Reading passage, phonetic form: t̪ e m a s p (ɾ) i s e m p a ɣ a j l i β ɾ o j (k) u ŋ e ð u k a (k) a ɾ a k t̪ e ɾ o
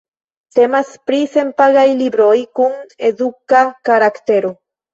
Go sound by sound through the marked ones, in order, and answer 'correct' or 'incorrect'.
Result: correct, correct, correct

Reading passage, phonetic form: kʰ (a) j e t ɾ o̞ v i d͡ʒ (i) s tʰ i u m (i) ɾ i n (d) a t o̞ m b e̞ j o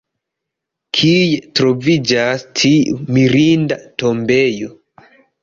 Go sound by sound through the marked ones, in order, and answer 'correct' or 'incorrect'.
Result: incorrect: i, incorrect: a, correct, correct

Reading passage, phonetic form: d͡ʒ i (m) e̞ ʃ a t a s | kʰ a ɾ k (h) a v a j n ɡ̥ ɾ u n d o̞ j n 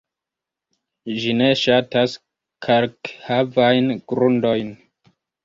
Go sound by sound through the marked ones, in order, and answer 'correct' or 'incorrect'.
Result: incorrect: n, correct

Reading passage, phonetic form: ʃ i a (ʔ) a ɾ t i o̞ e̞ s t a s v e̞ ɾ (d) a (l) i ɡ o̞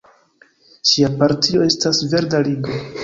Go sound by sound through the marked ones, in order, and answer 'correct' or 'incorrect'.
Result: incorrect: p, correct, correct

